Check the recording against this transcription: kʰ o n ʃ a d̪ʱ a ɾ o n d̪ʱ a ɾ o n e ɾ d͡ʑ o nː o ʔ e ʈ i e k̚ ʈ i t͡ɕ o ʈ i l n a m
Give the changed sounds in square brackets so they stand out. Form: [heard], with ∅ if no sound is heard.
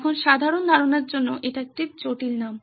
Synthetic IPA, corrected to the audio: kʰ o n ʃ a d̪ʱ a ɾ o n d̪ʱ a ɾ o n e ɾ d͡ʑ o nː o ʔ e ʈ [a] e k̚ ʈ i t͡ɕ o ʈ i l n a m